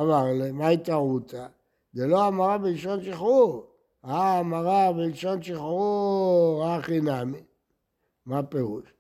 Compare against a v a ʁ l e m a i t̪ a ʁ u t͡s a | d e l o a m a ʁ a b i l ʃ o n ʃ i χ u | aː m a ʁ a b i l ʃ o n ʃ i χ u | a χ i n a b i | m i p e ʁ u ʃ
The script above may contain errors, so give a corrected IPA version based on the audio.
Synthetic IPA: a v a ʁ l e m a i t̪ a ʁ u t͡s a | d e l o a m a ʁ a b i l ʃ o n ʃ i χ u | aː m a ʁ a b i l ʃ o n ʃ i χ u | a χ i n a m i | m a p e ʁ u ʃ